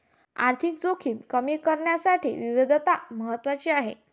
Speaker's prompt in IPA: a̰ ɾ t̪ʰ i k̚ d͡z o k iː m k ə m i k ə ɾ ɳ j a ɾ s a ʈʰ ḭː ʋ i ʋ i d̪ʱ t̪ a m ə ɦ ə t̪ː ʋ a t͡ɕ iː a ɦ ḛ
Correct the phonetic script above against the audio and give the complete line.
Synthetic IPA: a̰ ɾ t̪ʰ i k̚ d͡z o kʰ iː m k ə m i k ə ɾ ɳ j a s a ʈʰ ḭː ʋ i ʋ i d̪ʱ t̪ a m ə ɦ ə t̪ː ʋ a t͡ɕ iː a ɦ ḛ

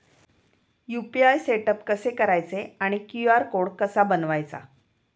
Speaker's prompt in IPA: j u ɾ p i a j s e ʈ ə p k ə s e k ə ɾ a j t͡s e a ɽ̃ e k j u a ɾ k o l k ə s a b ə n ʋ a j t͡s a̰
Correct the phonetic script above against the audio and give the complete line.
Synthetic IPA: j u p i a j s e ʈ ə p k ə s e k ə ɾ a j t͡s e a ɽ̃ i k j u a ɾ k o ɽ k ə s a b ə n ʋ a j t͡s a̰

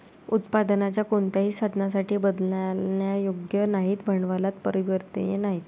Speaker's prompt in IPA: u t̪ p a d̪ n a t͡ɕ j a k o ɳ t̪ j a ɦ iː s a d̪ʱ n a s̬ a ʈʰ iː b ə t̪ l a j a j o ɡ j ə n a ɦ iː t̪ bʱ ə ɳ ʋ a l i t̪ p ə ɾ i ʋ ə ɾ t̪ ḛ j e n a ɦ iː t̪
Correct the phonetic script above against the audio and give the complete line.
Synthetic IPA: u t̪ p a d̪ n a t͡ɕ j a k o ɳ t̪ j a ɦ iː s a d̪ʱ n a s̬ a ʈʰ iː b ə d̪ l a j a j o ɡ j ə n a ɦ iː t̪ bʱ ə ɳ ʋ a l a t̪ p ə ɾ i ʋ ə ɾ t̪ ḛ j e n a ɦ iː t̪

